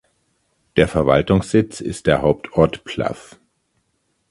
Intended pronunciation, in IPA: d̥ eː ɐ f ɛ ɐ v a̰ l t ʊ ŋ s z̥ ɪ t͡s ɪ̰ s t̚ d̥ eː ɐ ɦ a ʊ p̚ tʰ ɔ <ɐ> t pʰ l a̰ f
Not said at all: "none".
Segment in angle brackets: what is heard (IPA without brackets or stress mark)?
ɐ